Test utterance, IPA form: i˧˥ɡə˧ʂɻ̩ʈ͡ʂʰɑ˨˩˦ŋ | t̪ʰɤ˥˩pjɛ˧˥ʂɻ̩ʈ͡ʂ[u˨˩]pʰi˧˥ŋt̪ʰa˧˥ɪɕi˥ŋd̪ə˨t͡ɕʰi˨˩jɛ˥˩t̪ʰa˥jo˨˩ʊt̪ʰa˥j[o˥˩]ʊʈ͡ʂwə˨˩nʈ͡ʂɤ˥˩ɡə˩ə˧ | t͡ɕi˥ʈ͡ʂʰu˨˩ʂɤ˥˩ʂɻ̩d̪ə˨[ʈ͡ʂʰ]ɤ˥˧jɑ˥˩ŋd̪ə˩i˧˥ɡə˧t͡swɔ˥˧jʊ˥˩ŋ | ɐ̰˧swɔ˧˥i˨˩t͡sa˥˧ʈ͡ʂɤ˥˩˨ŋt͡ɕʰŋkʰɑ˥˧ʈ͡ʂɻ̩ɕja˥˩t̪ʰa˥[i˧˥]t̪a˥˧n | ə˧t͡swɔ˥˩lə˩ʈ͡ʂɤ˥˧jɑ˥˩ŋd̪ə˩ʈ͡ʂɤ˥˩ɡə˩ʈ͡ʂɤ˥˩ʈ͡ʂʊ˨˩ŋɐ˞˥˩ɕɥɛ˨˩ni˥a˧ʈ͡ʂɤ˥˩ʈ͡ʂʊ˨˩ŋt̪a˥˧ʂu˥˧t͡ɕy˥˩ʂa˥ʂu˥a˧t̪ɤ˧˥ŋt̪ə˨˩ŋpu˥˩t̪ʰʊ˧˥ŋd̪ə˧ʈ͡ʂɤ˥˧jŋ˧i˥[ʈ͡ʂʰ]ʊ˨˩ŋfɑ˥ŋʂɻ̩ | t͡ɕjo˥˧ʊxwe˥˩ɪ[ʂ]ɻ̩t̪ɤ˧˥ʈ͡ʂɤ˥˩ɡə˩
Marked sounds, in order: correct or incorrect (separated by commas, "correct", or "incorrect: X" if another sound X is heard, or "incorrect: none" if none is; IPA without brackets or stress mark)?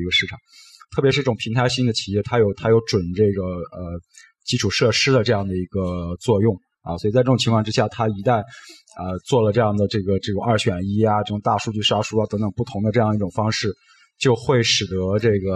incorrect: ʊ˨˩, incorrect: o˧˥, incorrect: ʈ͡ʂ, correct, incorrect: ʈ͡ʂ, correct